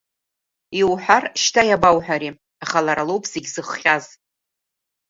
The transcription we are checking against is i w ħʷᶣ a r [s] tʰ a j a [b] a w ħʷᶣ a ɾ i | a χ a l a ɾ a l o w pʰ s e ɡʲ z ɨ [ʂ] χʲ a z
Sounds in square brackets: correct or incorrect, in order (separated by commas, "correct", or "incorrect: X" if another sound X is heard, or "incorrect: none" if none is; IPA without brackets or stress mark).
incorrect: ʃ, correct, incorrect: χ